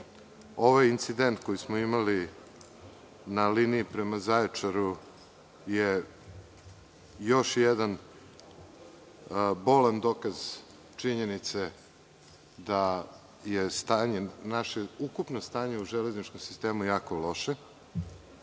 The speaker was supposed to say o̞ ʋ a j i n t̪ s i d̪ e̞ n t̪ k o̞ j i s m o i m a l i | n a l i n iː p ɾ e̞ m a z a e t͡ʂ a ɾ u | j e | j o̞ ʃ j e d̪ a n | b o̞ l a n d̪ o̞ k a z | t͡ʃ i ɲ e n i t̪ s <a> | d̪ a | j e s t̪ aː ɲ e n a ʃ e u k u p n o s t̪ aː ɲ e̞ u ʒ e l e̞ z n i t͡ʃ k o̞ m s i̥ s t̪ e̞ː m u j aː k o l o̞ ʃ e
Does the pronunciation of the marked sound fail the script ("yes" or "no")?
yes